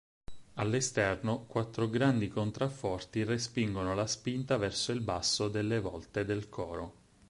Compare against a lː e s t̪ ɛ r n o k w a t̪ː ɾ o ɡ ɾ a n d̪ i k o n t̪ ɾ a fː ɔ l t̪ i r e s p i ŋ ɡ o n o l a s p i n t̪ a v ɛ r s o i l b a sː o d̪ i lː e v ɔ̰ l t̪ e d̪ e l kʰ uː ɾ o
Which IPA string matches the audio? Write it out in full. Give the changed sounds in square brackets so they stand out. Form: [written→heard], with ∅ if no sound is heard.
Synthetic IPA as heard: a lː e s t̪ ɛ r n o k w a t̪ː ɾ o ɡ ɾ a n d̪ i k o n t̪ ɾ a fː ɔ [l→r] t̪ i r e s p i ŋ ɡ o n o l a s p i n t̪ a v ɛ r s o i l b a sː o d̪ [i→e] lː e v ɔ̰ l t̪ e d̪ e l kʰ [uː→ɔː] ɾ o